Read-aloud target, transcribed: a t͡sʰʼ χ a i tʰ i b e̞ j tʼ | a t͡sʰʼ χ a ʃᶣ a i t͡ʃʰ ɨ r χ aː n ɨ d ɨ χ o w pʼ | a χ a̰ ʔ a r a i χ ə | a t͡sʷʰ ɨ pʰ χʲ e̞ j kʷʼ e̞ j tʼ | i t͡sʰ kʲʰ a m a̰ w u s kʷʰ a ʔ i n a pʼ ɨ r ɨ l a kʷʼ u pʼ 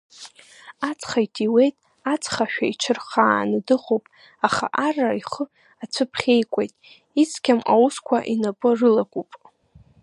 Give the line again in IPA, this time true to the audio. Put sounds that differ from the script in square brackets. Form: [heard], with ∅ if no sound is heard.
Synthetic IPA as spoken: a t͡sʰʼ χ a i tʰ i [w] e̞ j tʼ | a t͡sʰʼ χ a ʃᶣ a i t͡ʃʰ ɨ r χ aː n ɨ d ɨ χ o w pʼ | a χ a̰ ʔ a r a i χ ə | a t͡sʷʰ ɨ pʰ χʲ e̞ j kʷʼ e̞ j tʼ | i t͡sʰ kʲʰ a m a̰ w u s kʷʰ a ʔ i n a pʼ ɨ r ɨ l a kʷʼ u pʼ